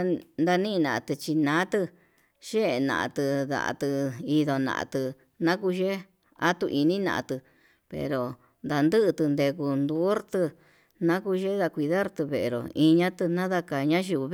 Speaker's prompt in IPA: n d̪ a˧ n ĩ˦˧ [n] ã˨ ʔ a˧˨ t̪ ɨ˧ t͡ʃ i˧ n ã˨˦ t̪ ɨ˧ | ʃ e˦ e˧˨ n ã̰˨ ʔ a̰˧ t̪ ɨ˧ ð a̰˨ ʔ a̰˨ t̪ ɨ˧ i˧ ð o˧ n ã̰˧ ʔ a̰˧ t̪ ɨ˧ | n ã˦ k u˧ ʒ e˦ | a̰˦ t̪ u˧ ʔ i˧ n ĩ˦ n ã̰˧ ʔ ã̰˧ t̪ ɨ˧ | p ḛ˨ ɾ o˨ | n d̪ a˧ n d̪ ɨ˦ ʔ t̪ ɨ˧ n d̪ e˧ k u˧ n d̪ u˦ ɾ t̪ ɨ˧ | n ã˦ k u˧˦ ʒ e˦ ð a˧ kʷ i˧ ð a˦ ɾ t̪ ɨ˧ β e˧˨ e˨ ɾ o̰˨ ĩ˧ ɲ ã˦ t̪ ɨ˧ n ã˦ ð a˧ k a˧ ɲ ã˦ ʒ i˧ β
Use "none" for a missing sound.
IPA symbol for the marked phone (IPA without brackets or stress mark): n